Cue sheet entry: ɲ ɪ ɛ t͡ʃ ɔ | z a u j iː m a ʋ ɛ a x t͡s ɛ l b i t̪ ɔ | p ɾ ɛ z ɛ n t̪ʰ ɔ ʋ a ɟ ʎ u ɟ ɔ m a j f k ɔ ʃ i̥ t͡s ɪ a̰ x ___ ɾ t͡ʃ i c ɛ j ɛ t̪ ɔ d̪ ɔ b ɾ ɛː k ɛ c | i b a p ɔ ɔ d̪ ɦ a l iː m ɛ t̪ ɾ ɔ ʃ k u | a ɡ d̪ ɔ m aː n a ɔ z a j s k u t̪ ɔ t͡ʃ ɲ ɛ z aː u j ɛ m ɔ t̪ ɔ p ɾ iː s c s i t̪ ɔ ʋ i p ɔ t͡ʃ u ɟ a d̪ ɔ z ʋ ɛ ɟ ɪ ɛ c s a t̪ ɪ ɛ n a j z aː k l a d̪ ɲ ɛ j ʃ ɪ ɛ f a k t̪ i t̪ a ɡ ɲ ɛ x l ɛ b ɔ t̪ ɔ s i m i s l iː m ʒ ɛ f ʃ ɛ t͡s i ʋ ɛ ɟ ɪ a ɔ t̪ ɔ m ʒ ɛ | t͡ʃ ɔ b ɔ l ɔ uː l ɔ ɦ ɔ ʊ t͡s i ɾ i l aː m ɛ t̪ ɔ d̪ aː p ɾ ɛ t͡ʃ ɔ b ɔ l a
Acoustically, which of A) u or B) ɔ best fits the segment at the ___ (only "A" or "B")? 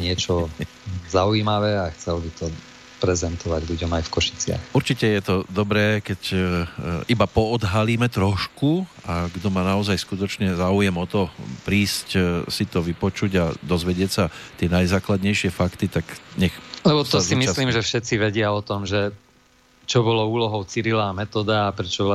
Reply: A